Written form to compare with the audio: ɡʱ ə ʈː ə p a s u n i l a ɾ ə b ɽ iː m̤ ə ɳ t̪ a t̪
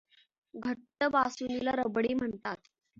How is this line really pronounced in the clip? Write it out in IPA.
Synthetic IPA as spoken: ɡʱ ə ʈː ə b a s u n i l a ɾ ə b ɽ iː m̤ ə ɳ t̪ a t̪